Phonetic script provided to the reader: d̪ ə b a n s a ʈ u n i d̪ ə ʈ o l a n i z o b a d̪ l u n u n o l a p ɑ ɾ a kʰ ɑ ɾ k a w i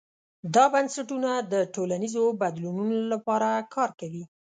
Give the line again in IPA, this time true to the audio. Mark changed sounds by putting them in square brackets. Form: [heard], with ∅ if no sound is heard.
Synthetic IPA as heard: d̪ [ɑ] b a n s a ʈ u n [a] d̪ ə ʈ o l a n i z o b a d̪ l u n u n o l a p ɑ ɾ a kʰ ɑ ɾ k a w i